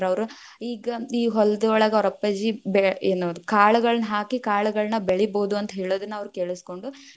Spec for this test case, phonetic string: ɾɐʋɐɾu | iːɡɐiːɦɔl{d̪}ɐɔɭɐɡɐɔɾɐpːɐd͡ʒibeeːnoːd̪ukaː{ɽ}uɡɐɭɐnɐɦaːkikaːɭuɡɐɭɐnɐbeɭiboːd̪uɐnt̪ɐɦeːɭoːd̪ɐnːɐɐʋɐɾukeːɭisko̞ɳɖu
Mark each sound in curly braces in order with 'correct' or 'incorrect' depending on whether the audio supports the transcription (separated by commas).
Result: correct, incorrect